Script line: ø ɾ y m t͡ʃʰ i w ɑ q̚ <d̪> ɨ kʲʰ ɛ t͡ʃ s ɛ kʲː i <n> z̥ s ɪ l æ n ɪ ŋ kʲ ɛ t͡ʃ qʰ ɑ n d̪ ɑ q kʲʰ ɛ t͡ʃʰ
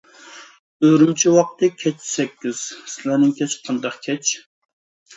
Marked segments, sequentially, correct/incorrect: incorrect: t̪, incorrect: none

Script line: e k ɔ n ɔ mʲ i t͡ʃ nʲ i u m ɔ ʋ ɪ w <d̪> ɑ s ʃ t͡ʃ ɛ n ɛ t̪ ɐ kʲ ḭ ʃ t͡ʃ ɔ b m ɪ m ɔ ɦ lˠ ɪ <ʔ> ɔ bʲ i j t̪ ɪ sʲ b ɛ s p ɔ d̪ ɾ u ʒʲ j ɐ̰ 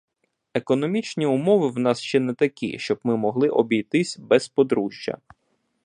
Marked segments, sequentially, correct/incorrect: incorrect: n̪, correct

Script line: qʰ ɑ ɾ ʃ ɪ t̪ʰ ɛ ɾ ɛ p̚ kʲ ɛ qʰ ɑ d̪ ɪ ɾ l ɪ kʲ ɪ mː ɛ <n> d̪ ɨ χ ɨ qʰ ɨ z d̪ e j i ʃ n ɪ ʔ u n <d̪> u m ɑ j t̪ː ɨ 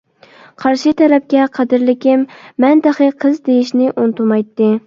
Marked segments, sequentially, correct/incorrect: correct, incorrect: t̪

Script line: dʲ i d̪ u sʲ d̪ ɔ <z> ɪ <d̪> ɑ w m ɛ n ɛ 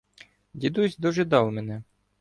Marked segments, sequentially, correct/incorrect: incorrect: ʒ, correct

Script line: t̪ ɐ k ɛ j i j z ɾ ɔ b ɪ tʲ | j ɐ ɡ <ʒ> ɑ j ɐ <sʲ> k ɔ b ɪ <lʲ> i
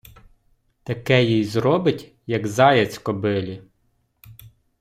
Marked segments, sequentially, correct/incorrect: incorrect: z, incorrect: t͡sʲ, correct

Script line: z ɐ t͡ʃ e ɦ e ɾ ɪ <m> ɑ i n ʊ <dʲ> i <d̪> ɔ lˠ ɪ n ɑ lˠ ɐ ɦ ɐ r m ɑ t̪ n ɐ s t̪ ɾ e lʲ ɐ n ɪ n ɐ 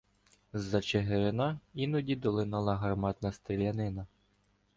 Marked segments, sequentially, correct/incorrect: incorrect: n, correct, correct

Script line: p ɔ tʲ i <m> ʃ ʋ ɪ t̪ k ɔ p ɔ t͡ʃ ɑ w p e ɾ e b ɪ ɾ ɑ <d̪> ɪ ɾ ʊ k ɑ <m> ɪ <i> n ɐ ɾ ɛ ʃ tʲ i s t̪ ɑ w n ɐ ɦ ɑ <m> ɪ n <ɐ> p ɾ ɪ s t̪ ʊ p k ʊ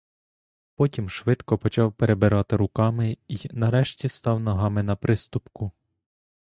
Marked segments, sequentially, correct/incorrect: correct, incorrect: t̪, correct, correct, correct, correct

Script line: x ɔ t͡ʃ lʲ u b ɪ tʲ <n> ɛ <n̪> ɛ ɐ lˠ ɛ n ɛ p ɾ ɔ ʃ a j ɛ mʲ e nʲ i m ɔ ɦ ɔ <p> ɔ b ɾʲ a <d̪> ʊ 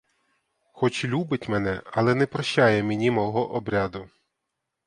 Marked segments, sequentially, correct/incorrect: incorrect: m, correct, incorrect: ʔ, correct

